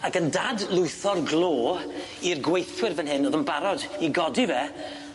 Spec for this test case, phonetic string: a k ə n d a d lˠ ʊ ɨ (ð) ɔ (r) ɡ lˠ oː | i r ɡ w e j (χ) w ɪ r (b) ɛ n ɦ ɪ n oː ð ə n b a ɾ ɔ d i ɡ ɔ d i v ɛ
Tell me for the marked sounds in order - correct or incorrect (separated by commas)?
incorrect, correct, incorrect, incorrect